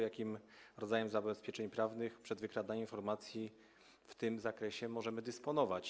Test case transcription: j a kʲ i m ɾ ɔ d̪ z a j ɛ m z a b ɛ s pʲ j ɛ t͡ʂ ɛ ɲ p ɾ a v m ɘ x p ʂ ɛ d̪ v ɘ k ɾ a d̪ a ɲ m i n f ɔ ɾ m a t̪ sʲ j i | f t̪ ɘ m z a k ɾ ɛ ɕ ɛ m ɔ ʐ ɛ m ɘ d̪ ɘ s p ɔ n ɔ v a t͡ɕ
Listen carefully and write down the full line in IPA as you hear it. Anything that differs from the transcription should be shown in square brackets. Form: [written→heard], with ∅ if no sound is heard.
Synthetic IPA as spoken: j a kʲ i m ɾ ɔ d̪ z a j ɛ m z a b ɛ s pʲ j ɛ t͡ʂ ɛ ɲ p ɾ a v [m→n] ɘ x p ʂ ɛ d̪ v ɘ k ɾ a d̪ a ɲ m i n f ɔ ɾ m a t̪ sʲ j i | f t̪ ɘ m z a k ɾ ɛ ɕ ɛ m ɔ ʐ ɛ m ɘ d̪ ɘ s p ɔ n ɔ v a t͡ɕ